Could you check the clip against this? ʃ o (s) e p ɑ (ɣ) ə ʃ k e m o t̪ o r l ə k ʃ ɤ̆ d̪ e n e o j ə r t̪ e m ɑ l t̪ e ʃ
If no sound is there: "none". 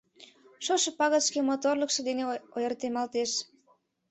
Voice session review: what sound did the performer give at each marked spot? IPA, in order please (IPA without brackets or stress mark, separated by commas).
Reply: ʃ, ɣ